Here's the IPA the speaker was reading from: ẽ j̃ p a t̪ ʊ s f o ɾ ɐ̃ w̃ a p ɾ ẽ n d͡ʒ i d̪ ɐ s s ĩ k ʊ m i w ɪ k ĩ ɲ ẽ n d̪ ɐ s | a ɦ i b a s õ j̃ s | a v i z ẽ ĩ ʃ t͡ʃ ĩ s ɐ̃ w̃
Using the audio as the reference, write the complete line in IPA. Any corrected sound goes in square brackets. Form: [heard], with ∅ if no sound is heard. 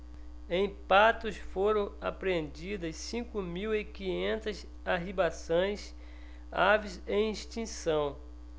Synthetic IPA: ẽ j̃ p a t̪ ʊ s f o ɾ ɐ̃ w̃ a p ɾ ẽ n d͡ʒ i d̪ ɐ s s ĩ k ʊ m i w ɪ k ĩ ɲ ẽ n [t̪] ɐ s | a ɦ i b a s õ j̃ s | a v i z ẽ ĩ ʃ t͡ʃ ĩ s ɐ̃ w̃